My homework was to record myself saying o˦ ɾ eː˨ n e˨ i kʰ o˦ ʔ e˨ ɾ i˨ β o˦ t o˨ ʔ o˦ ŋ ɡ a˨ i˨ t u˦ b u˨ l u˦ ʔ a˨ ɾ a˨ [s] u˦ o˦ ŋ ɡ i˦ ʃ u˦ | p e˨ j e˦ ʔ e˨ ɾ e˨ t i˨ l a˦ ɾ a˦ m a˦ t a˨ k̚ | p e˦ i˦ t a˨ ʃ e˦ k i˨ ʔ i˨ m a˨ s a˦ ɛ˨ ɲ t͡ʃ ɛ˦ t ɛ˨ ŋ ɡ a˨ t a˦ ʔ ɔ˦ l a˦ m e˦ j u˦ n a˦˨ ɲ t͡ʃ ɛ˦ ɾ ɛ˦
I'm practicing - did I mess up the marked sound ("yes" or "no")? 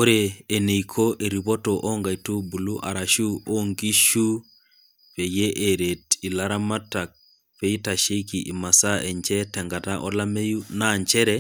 yes